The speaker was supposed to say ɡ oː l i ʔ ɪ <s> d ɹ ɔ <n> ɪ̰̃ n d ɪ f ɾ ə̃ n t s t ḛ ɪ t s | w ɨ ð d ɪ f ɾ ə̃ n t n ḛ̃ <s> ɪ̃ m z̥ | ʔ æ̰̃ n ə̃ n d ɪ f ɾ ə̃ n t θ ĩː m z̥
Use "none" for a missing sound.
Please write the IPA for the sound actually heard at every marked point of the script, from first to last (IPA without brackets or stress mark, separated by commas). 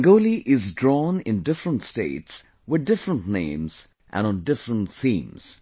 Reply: z, n, none